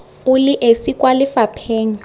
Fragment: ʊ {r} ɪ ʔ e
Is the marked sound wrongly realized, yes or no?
yes